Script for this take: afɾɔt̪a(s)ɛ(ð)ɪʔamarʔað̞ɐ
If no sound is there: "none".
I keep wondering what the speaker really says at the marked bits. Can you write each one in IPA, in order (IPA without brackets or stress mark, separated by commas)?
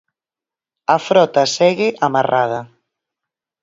s, ɣ